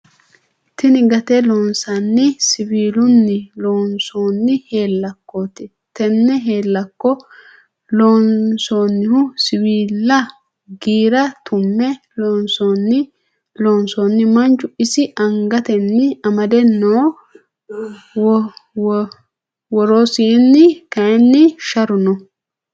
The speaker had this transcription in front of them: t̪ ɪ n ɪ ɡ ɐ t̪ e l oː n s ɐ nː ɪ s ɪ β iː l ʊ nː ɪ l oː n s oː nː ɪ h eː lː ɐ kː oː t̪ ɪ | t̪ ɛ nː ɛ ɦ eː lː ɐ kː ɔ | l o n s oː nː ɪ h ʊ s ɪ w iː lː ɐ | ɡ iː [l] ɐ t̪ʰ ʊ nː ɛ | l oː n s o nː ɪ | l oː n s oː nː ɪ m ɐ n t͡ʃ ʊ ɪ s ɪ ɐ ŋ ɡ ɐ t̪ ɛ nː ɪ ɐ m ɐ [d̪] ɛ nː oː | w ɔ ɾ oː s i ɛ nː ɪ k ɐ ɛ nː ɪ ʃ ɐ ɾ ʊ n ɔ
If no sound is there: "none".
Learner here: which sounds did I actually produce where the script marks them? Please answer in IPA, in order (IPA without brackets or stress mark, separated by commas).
ɾ, d̪